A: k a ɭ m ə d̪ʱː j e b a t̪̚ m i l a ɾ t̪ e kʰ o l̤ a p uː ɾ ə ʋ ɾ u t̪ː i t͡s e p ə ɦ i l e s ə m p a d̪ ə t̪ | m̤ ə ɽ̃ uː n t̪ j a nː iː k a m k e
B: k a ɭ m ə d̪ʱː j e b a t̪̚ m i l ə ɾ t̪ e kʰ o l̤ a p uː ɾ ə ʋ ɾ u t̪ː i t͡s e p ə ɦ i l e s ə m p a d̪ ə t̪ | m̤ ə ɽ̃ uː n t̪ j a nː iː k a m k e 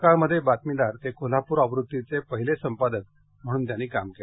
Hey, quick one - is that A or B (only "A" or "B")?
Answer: A